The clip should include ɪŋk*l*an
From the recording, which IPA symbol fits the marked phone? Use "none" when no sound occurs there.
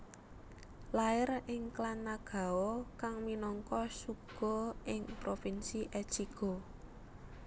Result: l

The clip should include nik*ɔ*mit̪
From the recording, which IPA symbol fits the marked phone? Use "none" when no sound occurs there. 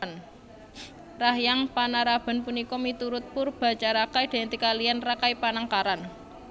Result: ɔ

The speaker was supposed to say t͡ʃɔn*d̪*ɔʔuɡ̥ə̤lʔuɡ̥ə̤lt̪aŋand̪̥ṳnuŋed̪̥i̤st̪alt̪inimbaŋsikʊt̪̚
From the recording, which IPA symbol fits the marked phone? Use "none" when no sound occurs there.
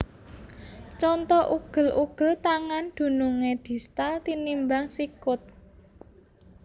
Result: t̪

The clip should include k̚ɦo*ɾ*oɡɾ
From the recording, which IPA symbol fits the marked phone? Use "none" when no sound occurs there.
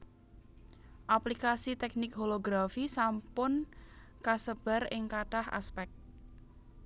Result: l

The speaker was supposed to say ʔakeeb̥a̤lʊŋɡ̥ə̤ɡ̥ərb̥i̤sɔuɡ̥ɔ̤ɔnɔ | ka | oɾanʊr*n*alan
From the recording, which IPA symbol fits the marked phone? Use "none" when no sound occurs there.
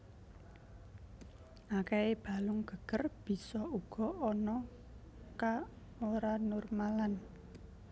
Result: m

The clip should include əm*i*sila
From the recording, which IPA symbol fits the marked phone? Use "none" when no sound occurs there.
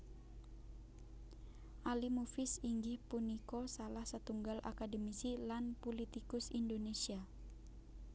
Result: i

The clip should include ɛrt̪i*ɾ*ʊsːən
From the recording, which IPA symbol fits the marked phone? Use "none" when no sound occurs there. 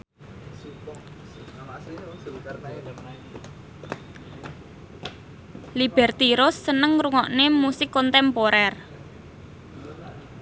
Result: ɾ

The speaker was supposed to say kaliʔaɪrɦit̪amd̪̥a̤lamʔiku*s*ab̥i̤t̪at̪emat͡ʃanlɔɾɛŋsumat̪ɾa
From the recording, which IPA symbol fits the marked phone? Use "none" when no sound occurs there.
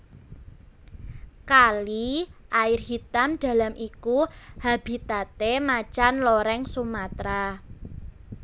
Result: h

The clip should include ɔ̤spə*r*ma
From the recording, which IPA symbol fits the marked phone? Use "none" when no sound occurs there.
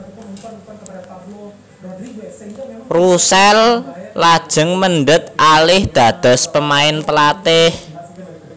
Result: none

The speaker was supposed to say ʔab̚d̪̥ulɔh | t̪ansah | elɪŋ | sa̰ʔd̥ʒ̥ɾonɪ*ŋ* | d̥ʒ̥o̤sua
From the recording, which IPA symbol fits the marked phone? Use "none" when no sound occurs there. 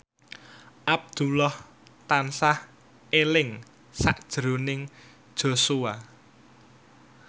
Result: ŋ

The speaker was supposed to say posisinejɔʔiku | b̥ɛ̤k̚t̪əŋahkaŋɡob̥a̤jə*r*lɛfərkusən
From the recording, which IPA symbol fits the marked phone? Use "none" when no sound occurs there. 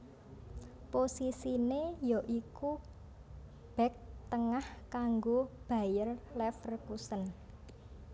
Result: r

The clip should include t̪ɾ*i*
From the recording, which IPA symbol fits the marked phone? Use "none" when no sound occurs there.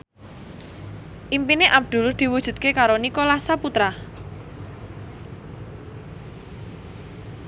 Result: a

